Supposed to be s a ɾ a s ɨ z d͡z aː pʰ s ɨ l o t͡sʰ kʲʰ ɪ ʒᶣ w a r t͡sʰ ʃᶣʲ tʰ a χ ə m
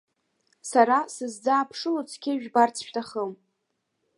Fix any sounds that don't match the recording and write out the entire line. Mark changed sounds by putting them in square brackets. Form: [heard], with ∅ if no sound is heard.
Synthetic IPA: s a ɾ a s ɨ z d͡z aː pʰ [ʂ] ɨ l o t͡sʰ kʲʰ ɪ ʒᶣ [b] a r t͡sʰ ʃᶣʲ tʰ a χ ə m